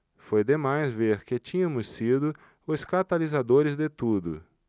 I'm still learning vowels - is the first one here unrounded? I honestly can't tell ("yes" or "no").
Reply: no